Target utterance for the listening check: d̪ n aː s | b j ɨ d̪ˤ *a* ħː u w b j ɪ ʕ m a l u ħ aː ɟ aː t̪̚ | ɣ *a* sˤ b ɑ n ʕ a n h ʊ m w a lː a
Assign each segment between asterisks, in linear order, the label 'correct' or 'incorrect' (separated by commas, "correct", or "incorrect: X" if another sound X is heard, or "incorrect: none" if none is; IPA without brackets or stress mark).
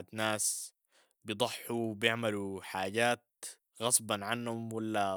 incorrect: ɑ, incorrect: ɑ